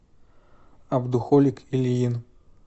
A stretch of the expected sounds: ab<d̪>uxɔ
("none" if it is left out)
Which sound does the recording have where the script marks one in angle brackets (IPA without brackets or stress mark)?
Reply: d̪